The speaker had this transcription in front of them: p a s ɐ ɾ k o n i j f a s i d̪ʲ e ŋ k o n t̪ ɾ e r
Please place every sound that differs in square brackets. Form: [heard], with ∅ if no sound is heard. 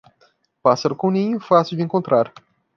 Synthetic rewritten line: p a s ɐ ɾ k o n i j f a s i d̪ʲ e ŋ k o n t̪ ɾ [a] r

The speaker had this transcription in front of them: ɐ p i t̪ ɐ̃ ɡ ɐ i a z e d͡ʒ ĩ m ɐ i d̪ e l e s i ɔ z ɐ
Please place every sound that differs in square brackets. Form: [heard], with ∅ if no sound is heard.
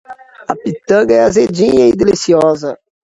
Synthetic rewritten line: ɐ p i t̪ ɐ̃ ɡ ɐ [ɛ] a z e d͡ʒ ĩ [ɲ] ɐ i d̪ e l [i] s i ɔ z ɐ

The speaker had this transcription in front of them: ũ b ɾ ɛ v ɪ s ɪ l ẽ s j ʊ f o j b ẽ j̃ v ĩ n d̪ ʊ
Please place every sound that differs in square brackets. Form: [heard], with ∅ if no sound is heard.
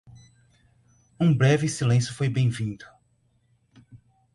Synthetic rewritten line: ũ b ɾ ɛ v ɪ s [i] l ẽ s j ʊ f o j b ẽ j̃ v ĩ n d̪ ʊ

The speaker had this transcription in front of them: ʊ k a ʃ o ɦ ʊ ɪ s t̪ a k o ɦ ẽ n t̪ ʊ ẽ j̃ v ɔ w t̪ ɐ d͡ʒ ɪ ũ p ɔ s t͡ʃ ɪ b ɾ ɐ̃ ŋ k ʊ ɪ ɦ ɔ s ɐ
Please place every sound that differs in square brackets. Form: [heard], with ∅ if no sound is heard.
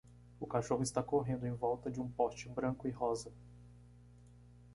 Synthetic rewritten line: ʊ k a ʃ o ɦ ʊ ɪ s t̪ a k o ɦ ẽ n [d̪] ʊ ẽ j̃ v ɔ w t̪ ɐ d͡ʒ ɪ ũ p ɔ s t͡ʃ ɪ b ɾ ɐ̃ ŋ k ʊ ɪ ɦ ɔ [z] ɐ

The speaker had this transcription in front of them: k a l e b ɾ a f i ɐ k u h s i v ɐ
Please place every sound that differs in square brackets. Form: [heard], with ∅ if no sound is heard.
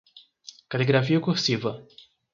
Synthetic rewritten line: k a l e [ɡ] ɾ a f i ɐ k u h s i v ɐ

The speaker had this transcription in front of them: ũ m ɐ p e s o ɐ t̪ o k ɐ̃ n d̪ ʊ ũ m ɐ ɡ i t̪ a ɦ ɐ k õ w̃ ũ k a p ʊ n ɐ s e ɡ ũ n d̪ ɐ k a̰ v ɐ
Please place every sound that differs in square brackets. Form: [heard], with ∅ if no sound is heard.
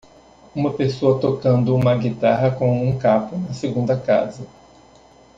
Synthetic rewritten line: ũ m ɐ p e s o ɐ t̪ o k ɐ̃ n d̪ ʊ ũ m ɐ ɡ i t̪ a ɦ ɐ k õ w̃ ũ k a p ʊ n ɐ s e ɡ ũ n d̪ ɐ k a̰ [z] ɐ

